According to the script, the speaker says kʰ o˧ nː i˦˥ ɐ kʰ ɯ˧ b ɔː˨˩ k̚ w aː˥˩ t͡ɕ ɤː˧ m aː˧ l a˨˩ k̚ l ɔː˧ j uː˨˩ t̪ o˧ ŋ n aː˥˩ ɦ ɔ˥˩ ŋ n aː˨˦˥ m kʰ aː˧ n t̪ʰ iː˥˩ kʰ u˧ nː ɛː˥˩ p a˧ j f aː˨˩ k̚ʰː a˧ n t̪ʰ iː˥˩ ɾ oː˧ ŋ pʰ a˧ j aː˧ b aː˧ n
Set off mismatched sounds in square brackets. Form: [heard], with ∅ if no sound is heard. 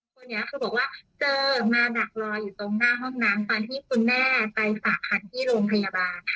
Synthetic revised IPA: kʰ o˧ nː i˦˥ ɐ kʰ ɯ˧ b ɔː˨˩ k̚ w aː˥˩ t͡ɕ ɤː˧ m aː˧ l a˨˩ k̚ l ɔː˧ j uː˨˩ t̪ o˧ ŋ n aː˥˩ ɦ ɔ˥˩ ŋ n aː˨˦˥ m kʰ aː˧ n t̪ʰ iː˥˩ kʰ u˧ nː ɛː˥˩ p a˧ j f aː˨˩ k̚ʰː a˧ n t̪ʰ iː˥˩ ɾ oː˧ ŋ pʰ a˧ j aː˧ b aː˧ n